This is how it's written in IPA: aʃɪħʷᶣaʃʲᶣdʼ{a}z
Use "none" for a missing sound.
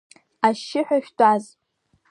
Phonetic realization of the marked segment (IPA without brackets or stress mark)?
a